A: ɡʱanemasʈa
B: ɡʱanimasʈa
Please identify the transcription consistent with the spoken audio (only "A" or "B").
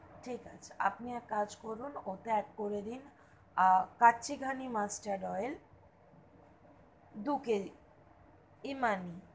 B